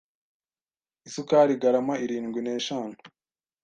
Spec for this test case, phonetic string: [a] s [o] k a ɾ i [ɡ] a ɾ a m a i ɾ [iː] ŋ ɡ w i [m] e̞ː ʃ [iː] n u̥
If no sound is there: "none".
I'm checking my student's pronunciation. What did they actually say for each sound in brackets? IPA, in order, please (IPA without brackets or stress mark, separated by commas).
i, u, ɡ, iː, n, aː